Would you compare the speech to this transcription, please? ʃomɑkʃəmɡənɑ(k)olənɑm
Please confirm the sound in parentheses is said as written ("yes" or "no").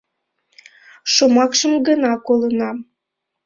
yes